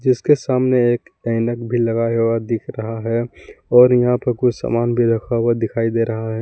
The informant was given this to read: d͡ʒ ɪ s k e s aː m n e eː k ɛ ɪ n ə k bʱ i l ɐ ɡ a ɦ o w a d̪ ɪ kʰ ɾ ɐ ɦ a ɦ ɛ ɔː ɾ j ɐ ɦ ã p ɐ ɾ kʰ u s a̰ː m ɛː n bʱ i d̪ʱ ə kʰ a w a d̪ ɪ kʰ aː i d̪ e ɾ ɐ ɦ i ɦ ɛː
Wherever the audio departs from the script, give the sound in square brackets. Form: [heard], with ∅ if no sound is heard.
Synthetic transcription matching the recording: d͡ʒ ɪ s k e s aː m n e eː k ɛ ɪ n ə k bʱ i l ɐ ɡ a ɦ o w a d̪ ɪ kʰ ɾ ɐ ɦ a ɦ ɛ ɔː ɾ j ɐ ɦ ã p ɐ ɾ [k] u s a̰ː m [aː] n bʱ i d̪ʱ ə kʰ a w a d̪ ɪ kʰ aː i d̪ e ɾ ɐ ɦ [a] ɦ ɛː